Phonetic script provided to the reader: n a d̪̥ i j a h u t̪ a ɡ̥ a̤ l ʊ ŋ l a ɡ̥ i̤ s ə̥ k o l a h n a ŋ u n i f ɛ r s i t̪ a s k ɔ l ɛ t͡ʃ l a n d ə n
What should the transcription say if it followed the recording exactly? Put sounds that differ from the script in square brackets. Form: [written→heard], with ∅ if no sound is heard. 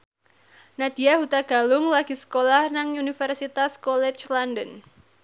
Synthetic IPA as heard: n a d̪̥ i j a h u t̪ a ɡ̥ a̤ l ʊ ŋ l a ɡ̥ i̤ s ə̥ k o l a h n a ŋ u n i f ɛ r s i t̪ a s k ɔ l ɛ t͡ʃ l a n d ə n